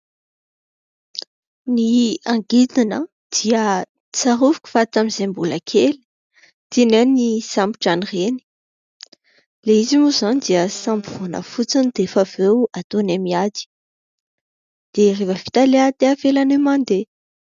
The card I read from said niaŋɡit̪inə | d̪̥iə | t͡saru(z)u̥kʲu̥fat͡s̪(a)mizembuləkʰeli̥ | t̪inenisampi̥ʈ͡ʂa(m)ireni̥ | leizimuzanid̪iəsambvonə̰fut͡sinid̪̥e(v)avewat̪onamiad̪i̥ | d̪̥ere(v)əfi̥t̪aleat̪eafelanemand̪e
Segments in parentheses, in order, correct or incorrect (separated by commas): incorrect, correct, incorrect, incorrect, correct